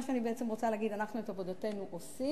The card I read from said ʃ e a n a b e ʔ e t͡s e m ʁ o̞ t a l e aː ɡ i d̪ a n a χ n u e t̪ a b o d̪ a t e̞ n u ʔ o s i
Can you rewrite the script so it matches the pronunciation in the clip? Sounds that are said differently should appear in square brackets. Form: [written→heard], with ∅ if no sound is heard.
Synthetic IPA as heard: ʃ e a n [a→i] b e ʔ e t͡s e m ʁ o̞ [t→t͡s] a l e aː ɡ i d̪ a n a χ n u e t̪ a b o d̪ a t e̞ n u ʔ o s i